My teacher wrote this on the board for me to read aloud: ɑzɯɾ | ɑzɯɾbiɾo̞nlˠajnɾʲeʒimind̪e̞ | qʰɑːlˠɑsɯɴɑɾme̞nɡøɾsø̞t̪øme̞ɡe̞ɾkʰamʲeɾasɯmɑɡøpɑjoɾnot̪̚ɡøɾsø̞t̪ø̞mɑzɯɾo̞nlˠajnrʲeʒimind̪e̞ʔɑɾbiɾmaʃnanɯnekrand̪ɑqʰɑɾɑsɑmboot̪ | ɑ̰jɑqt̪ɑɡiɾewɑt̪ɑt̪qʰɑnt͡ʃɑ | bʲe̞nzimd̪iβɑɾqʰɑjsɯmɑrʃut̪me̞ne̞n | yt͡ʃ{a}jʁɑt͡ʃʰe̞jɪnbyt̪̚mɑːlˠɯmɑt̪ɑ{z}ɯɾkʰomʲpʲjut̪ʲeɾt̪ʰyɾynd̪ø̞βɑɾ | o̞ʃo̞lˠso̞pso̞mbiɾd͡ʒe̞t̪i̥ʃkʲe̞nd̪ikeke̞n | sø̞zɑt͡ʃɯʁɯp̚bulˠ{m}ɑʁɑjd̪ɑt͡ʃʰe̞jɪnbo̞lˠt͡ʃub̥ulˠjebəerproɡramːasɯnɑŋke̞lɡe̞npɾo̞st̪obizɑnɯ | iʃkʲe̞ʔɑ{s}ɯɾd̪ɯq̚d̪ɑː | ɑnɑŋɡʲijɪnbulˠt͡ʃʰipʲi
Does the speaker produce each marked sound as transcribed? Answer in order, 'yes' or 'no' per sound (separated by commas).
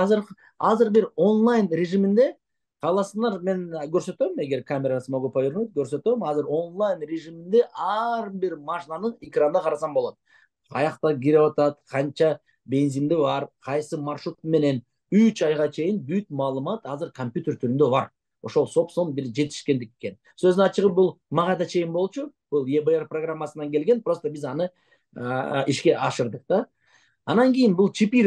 no, yes, yes, no